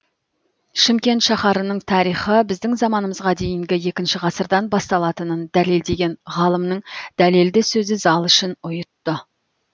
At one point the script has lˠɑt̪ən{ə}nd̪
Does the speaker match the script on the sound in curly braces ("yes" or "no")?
yes